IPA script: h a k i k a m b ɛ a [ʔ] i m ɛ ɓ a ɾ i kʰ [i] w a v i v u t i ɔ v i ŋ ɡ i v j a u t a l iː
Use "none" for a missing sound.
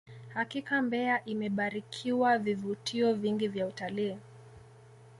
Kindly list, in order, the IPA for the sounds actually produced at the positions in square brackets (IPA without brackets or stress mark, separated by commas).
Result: ʔ, i